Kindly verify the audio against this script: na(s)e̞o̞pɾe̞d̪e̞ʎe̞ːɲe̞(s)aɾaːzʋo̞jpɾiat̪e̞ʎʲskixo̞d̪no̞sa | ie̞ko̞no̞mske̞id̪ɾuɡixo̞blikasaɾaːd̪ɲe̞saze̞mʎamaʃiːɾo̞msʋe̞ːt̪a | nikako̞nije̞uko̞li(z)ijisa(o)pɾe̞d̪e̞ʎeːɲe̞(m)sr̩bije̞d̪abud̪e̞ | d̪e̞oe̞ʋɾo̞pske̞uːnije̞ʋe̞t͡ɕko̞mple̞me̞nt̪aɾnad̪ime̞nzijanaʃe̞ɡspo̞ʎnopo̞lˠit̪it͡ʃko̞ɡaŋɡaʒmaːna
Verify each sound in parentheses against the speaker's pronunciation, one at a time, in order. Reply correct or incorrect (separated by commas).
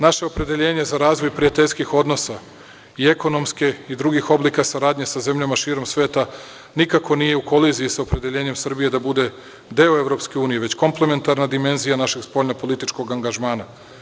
incorrect, incorrect, correct, correct, correct